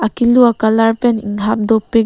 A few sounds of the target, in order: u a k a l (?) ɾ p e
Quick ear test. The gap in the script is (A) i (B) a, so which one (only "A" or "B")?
B